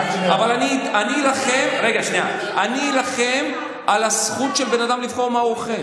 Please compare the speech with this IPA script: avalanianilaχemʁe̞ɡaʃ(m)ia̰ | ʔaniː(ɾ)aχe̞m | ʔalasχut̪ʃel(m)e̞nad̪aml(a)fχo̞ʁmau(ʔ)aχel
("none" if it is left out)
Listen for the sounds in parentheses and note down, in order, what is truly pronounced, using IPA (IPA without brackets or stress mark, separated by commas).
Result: n, l, b, i, none